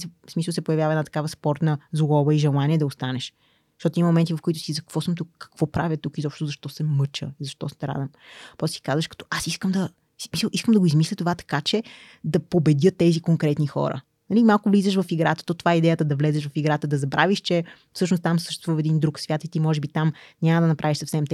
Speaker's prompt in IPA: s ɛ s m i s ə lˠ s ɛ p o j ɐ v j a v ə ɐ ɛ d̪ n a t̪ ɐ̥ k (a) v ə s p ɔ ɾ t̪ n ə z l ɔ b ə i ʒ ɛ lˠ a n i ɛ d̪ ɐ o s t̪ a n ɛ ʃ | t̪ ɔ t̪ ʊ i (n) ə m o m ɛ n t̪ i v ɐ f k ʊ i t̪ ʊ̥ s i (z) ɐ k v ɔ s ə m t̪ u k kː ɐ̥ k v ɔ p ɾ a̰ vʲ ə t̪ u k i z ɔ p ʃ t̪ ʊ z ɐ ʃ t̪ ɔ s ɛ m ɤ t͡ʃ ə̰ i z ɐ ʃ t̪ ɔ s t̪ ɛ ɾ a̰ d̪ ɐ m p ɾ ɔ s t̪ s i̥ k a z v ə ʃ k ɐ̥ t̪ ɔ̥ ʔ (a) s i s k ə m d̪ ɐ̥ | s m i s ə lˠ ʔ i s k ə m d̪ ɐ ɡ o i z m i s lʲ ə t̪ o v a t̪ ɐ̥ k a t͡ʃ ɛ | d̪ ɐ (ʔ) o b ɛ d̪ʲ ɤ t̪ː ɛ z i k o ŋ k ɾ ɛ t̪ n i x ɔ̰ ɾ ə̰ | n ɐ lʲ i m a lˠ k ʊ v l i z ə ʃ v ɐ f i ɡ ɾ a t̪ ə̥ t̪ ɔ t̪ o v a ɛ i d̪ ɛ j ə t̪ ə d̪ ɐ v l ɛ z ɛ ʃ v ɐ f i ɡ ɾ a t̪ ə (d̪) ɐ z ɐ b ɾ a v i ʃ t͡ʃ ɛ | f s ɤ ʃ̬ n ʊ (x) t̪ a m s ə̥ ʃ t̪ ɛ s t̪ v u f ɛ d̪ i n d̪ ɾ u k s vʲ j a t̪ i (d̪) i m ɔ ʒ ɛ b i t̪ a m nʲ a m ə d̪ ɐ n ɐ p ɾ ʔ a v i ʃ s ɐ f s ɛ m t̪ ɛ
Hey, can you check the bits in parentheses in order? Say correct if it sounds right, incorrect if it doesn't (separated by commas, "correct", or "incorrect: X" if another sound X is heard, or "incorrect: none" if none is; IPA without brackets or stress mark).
correct, incorrect: m, correct, correct, incorrect: p, correct, incorrect: s, incorrect: t̪